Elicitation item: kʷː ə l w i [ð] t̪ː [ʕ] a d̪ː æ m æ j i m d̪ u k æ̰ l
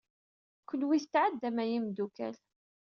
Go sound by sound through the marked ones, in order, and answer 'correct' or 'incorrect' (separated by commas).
incorrect, correct